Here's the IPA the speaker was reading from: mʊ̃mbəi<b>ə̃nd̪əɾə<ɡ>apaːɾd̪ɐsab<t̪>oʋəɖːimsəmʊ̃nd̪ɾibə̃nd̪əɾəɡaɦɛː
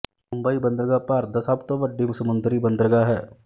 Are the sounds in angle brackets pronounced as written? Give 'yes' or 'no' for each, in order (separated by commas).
yes, yes, yes